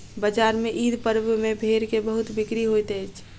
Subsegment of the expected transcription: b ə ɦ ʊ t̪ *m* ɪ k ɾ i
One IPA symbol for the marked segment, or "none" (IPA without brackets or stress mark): b